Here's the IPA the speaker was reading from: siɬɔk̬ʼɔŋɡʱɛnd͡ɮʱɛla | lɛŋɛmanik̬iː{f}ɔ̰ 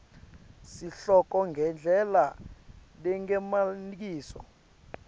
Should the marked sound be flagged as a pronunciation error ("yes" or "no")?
yes